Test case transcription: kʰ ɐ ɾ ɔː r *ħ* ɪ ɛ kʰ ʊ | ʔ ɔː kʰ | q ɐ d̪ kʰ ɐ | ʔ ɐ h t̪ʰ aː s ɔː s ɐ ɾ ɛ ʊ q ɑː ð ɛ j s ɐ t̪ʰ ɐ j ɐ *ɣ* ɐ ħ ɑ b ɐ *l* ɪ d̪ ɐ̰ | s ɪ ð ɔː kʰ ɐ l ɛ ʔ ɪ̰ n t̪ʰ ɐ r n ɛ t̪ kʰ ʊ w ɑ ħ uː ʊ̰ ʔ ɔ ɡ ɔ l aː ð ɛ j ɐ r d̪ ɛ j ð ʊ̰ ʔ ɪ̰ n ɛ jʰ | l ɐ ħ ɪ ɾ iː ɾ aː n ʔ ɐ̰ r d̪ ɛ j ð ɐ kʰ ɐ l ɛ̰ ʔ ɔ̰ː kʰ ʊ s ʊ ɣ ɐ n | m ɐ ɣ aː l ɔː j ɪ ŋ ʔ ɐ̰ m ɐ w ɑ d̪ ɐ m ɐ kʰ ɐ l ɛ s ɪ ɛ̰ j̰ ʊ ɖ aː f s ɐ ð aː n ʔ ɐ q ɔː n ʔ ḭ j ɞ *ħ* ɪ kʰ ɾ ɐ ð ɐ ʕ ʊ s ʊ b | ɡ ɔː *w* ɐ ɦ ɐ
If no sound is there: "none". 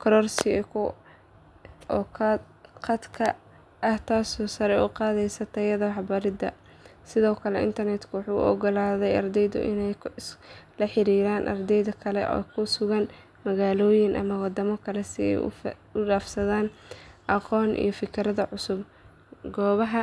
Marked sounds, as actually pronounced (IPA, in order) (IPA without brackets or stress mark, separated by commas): s, ð, ɾ, f, β